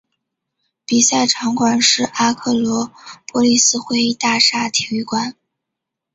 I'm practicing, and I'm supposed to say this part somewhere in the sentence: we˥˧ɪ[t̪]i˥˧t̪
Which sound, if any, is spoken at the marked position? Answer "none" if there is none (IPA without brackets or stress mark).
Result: none